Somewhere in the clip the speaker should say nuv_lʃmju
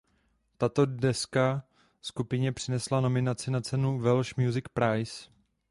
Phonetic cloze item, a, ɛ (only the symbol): ɛ